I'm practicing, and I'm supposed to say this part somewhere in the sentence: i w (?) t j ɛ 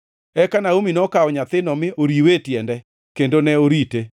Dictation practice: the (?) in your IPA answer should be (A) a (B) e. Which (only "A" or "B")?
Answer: B